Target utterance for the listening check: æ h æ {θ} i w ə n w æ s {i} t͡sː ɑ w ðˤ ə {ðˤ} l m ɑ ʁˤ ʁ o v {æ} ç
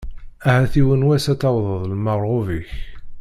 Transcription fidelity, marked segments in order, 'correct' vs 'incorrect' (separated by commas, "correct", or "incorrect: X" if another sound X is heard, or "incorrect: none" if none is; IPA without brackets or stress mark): correct, incorrect: æ, correct, incorrect: i